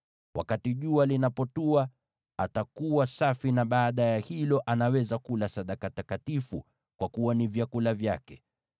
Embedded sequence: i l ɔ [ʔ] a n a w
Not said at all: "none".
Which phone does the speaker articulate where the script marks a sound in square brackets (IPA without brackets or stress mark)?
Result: ʔ